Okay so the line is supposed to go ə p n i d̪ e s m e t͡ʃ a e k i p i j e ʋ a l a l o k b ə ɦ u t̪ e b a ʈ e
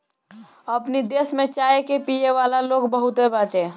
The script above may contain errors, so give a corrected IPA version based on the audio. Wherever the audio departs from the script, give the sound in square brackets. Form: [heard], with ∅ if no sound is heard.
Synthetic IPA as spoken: ə p n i d̪ e s m e t͡ʃ a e k [e] p i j e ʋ a l a l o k b ə ɦ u t̪ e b a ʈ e